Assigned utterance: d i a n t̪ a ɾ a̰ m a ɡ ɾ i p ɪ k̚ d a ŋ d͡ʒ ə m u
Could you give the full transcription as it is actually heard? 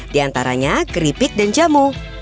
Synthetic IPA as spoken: d i a n t̪ a ɾ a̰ ɲ a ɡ ɾ i p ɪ k̚ d a n d͡ʒ a m u